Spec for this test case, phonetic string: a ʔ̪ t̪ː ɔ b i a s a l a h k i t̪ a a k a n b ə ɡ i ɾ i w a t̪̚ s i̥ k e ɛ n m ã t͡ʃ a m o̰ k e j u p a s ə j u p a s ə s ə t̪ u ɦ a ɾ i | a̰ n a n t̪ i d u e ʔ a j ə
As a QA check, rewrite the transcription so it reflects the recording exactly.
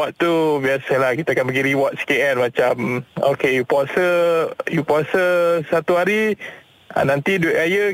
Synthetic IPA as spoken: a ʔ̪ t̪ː u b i a s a l a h k i t̪ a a k a n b ə ɡ i ɾ i w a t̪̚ s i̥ k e ɛ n m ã t͡ʃ a m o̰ k e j u p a s ə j u p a s ə s a t̪ u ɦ a ɾ i | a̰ n a n t̪ i d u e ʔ a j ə